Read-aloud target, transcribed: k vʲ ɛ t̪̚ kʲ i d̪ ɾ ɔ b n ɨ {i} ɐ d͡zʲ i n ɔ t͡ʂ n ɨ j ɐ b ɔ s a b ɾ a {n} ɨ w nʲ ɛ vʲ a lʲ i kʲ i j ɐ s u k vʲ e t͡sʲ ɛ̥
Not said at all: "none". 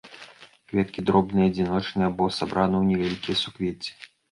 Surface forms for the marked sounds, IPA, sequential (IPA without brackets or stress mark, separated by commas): j, n